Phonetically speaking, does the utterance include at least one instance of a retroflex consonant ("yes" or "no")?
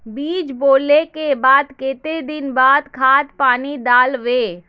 no